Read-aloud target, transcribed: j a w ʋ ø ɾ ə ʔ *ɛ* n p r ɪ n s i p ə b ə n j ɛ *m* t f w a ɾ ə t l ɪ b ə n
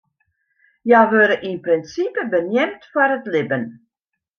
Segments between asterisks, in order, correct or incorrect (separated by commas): incorrect, correct